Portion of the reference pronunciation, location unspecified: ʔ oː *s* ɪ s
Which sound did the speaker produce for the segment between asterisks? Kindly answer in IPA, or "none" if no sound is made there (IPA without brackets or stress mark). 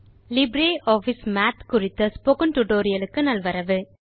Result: f